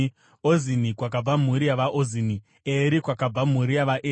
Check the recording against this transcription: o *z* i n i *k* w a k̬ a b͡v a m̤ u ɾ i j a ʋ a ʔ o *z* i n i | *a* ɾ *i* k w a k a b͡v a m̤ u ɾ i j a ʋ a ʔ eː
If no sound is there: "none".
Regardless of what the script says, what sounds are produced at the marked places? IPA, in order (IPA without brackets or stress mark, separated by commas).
z, k, z, e, i